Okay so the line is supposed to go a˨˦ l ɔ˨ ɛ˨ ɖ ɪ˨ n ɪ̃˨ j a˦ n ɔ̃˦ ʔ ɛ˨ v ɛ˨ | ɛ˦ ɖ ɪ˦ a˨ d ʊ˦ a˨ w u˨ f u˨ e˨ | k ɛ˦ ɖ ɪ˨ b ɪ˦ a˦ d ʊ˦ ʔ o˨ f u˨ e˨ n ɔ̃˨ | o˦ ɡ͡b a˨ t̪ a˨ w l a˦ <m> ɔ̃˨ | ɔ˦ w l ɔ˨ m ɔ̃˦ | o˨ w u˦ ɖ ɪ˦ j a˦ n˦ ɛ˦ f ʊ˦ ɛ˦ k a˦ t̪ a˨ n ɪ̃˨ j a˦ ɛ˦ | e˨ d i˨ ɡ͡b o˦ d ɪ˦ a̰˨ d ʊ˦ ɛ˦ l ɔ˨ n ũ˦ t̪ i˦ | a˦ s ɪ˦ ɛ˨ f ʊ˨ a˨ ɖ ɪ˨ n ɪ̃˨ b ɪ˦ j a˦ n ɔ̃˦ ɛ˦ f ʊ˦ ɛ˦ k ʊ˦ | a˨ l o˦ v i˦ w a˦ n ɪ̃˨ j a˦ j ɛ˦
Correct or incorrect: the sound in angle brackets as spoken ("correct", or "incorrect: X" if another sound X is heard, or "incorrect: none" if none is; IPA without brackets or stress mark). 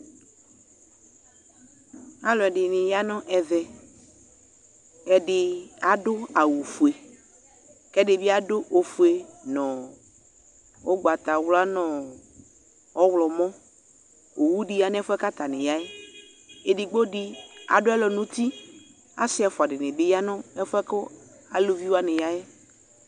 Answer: incorrect: n